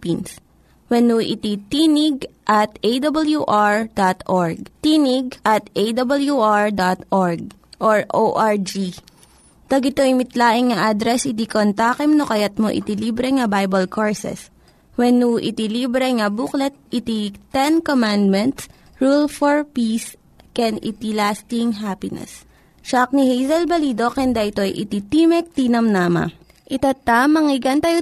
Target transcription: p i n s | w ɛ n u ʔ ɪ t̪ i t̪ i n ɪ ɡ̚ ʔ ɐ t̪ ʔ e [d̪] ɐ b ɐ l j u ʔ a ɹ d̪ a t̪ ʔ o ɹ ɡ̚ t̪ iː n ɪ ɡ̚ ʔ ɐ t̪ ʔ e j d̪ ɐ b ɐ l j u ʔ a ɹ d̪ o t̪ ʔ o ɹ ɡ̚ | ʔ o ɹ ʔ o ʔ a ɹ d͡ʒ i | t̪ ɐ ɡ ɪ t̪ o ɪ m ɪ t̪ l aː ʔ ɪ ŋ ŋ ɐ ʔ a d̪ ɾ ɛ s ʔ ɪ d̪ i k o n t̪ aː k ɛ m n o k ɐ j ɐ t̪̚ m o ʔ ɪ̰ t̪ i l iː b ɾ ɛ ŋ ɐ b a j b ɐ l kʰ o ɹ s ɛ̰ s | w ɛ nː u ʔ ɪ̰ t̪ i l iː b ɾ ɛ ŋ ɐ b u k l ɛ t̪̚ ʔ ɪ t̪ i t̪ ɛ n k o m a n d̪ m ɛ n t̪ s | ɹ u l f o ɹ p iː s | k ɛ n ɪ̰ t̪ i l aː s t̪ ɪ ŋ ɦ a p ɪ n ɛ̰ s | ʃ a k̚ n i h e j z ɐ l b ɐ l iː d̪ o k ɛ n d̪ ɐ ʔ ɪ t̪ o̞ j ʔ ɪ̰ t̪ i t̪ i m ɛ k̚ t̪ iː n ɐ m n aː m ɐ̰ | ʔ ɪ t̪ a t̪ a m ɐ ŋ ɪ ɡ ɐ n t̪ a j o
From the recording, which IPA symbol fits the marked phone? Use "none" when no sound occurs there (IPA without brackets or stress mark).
d̪